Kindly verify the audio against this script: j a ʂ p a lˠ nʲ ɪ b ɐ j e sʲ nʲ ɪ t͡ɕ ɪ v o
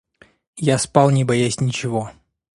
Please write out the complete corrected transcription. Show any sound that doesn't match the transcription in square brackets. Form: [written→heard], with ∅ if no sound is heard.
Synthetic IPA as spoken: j a [ʂ→s] p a lˠ nʲ ɪ b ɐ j [e→a] sʲ nʲ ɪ t͡ɕ ɪ v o